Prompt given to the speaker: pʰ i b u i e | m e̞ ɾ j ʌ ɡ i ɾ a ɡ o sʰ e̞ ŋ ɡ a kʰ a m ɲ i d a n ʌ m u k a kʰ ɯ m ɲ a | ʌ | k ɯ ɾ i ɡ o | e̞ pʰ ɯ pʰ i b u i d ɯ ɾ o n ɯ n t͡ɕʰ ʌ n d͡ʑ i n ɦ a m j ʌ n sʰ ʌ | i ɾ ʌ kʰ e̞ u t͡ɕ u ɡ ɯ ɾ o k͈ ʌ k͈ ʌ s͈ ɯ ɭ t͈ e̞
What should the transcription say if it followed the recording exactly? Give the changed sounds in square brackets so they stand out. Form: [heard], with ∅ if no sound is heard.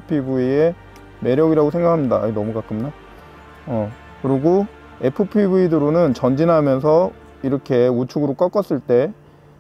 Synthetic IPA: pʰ i b u i e | m e̞ ɾ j ʌ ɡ i ɾ a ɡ o sʰ e̞ ŋ ɡ a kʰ a m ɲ i d a n ʌ m u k a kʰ ɯ m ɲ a | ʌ | k ɯ ɾ i ɡ o | e̞ pʰ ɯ pʰ i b u i d ɯ ɾ o n ɯ n [t͡ɕ] ʌ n d͡ʑ i n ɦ a m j ʌ n sʰ ʌ | i ɾ ʌ kʰ e̞ u [t͡ɕʰ] u ɡ ɯ ɾ o k͈ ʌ k͈ ʌ s͈ ɯ ɭ t͈ e̞